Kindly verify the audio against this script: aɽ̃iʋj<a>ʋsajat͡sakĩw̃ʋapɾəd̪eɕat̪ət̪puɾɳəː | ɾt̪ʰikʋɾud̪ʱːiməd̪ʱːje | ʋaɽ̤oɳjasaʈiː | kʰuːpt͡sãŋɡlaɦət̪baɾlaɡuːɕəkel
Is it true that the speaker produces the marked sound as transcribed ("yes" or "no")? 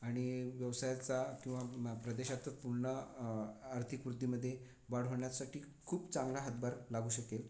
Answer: no